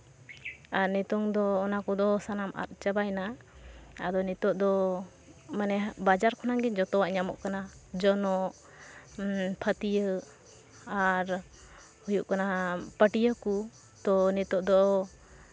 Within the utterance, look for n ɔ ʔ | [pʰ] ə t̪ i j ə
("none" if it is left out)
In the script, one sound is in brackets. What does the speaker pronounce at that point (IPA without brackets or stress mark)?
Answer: pʰ